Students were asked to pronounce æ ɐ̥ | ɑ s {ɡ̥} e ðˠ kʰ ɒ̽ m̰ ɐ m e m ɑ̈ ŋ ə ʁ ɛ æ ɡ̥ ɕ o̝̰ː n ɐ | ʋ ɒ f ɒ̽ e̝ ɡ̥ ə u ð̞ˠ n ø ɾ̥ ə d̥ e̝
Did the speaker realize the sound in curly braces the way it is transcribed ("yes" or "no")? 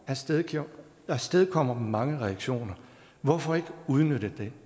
no